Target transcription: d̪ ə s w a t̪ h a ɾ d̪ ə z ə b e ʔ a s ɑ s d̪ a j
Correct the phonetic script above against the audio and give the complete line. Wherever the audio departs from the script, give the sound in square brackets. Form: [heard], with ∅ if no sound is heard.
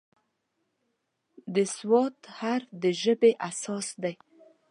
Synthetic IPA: d̪ ə s w [ɑ] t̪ h a ɾ d̪ ə [ʒ] ə b e ʔ a s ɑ s d̪ a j

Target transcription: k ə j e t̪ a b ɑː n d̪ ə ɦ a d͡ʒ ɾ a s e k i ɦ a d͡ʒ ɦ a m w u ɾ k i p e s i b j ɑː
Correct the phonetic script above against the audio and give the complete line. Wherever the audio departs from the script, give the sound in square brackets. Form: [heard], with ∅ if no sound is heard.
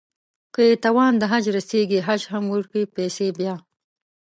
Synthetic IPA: k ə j e t̪ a [w] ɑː n d̪ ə ɦ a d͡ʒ ɾ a s e [ɡ] i ɦ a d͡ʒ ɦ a m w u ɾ k i p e s [e] b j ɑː

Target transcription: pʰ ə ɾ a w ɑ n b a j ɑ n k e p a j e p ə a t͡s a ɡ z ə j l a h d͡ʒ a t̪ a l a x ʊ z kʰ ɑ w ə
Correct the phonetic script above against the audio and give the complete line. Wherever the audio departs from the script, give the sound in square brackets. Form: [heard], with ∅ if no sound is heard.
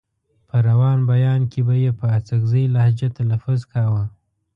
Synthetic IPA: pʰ ə ɾ a w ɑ n b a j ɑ n k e [b] a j e p ə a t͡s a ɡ z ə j l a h d͡ʒ a t̪ a l a [f] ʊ z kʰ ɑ w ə

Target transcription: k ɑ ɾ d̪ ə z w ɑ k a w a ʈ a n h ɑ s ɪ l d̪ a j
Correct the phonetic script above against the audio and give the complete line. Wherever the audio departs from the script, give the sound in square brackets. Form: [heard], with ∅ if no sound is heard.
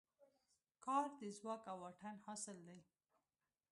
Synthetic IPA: k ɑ ɾ d̪ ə z w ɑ k a w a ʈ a n h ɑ s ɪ l d̪ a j

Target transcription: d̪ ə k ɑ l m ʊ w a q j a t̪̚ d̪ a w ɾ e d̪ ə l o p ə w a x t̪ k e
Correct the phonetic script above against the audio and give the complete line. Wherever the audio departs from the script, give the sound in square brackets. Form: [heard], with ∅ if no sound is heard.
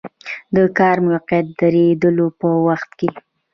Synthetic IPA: d̪ ə k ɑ [ɾ] m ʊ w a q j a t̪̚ d̪ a [∅] ɾ e d̪ ə l o p ə w a x t̪ k e

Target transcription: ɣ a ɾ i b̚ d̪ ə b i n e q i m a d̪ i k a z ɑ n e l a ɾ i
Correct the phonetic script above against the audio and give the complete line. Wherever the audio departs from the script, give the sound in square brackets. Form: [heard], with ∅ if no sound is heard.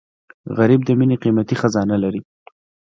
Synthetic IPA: ɣ a ɾ i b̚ d̪ ə [m] i n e q i m a [t̪] i [x] a z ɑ n [a] l a ɾ i

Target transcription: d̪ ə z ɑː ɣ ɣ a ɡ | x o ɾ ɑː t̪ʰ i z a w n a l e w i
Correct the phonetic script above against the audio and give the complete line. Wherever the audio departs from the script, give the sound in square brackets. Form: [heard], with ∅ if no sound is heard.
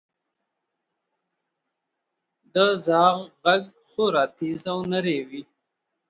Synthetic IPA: d̪ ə z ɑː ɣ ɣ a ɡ | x o ɾ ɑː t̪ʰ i z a w n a [ɾ] e w i

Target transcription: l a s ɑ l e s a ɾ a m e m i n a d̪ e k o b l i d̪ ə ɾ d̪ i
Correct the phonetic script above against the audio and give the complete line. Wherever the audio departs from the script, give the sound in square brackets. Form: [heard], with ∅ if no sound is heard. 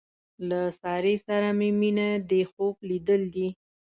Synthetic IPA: l a s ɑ [ɾ] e s a ɾ a m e m i n a d̪ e [x] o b l i d̪ ə [l] d̪ i

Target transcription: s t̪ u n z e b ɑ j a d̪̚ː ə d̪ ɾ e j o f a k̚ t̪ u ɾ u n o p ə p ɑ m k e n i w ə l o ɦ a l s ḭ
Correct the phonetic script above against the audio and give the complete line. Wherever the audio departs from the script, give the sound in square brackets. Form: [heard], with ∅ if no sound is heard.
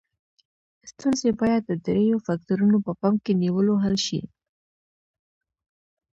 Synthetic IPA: s t̪ u n z e b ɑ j a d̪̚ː ə d̪ ɾ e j o f a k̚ t̪ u ɾ u n o p ə p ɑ m k e n i w ə l o ɦ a l [ʃ] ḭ

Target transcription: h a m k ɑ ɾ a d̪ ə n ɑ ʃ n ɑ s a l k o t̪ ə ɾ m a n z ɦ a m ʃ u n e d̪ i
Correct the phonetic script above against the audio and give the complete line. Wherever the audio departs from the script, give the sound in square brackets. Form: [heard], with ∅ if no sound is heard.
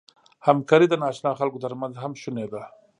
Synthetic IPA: h a m k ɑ ɾ [i] d̪ ə n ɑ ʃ n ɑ [x] a l k o t̪ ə ɾ m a n z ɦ a m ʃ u n e d̪ [a]

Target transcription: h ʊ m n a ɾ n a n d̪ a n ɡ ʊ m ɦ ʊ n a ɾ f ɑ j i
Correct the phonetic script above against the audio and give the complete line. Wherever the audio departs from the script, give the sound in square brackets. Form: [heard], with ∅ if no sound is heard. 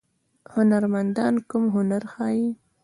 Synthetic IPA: h ʊ [∅] n a ɾ [m] a n d̪ [ɑ] n [k] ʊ m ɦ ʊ n a ɾ [x] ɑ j i

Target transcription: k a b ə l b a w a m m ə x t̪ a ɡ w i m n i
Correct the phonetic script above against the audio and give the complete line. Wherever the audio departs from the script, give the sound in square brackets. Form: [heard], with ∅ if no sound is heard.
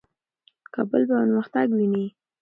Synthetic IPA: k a b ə l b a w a [n] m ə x t̪ a ɡ w i [∅] n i

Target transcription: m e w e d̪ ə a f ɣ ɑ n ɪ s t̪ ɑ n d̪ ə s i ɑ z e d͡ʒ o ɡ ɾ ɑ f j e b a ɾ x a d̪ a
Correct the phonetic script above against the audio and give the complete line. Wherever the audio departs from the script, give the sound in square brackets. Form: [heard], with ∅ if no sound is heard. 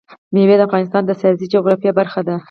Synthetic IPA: m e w e d̪ ə a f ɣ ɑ n ɪ s t̪ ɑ n d̪ ə s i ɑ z [i] d͡ʒ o ɡ ɾ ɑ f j [a] b a ɾ x a d̪ a

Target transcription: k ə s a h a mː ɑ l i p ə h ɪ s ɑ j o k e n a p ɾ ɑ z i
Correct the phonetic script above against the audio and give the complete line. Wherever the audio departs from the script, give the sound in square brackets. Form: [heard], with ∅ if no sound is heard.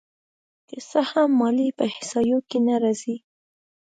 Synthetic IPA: k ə s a h a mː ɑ l i p ə h ɪ s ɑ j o k e n a [∅] ɾ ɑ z i

